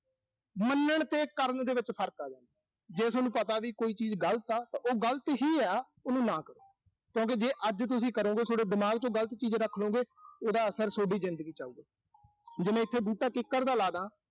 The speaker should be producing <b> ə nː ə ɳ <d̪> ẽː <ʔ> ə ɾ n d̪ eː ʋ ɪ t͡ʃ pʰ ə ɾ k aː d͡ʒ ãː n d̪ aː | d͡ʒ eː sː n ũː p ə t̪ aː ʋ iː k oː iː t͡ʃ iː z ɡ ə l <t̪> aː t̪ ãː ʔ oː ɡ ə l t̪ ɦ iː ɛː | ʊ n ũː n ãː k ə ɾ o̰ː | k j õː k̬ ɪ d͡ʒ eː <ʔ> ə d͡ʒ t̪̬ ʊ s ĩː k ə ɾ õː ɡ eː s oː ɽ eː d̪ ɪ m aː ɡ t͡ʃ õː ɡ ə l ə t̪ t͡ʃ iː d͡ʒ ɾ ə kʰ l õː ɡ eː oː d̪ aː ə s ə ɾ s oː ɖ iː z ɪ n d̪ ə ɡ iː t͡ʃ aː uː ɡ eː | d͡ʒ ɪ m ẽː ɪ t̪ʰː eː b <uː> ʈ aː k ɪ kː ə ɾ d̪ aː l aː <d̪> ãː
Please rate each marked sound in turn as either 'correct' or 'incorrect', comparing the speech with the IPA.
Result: incorrect, incorrect, incorrect, correct, correct, correct, correct

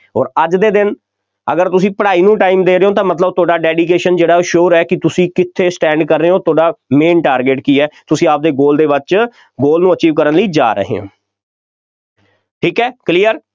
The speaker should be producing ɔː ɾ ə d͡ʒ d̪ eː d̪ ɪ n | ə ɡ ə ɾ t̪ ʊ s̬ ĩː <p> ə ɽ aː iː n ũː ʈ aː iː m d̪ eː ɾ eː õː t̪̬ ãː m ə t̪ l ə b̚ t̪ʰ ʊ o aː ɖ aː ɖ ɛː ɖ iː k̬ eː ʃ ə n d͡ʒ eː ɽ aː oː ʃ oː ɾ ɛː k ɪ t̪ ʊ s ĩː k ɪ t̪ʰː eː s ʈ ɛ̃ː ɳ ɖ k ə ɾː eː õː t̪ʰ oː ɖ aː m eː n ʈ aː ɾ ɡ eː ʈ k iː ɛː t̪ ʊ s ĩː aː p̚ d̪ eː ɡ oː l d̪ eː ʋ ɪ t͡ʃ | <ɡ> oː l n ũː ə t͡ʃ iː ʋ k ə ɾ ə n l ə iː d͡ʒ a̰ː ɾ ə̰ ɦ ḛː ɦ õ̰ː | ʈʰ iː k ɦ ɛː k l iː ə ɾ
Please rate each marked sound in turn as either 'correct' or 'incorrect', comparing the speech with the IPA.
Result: correct, correct

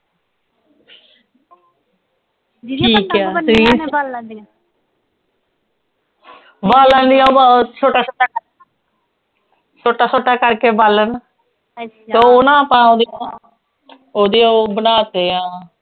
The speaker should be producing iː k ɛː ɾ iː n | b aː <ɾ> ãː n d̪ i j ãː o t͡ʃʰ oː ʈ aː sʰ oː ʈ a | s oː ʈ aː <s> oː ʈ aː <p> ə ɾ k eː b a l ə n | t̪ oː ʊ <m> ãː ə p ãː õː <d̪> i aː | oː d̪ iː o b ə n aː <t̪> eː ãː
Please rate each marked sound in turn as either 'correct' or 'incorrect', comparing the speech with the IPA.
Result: incorrect, correct, incorrect, incorrect, correct, correct

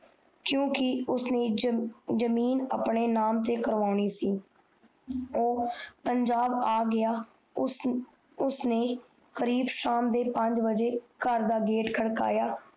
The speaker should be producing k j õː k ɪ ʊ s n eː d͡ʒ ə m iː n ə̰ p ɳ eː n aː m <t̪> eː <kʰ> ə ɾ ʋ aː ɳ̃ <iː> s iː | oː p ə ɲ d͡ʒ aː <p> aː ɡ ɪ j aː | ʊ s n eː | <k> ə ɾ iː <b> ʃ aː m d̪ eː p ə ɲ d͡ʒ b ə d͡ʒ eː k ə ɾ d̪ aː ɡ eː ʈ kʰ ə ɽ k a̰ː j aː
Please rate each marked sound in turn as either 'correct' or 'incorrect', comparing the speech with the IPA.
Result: correct, incorrect, correct, incorrect, correct, correct

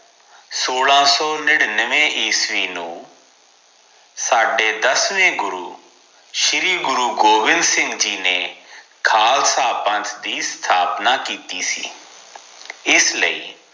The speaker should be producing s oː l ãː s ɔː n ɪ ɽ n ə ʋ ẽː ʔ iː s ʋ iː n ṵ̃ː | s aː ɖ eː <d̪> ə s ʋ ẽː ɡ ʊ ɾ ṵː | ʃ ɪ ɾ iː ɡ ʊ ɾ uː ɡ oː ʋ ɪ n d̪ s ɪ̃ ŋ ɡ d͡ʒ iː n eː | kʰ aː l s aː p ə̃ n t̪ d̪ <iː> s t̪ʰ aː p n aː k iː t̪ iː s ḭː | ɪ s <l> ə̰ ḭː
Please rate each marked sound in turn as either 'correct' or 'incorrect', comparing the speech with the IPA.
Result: correct, correct, correct

